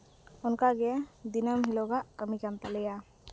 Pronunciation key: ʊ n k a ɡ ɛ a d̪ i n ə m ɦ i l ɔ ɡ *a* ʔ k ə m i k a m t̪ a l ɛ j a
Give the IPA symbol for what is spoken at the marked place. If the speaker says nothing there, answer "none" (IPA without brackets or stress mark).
a